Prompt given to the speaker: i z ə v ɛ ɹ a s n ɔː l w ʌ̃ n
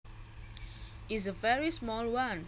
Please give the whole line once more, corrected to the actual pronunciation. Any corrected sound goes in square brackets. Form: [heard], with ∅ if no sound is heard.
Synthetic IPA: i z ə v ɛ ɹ [i] s [m] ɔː l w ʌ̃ n